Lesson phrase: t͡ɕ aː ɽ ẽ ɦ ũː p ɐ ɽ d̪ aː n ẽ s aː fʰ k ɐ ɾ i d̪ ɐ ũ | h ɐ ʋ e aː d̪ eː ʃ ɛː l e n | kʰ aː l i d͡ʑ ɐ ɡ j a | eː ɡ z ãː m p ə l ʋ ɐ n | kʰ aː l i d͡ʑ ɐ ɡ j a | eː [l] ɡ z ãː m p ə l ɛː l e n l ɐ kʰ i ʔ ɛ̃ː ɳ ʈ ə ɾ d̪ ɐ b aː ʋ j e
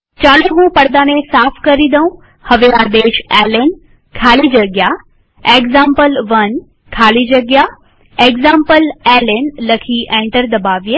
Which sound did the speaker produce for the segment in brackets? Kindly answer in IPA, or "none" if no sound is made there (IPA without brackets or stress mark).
none